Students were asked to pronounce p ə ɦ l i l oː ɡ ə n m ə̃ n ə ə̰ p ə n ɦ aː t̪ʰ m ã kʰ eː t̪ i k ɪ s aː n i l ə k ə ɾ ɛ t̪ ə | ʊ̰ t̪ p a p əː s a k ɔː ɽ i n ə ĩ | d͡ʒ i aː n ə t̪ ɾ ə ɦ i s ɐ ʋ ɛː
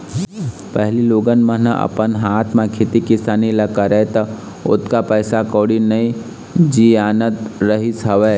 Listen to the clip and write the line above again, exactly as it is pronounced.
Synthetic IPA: p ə ɦ l i l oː ɡ ə n m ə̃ n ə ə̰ p ə n ɦ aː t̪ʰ m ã kʰ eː t̪ i k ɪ s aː n i l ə k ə ɾ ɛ t̪ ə | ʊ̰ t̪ k a p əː s a k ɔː ɽ i n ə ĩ | d͡ʒ i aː n ə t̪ ɾ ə ɦ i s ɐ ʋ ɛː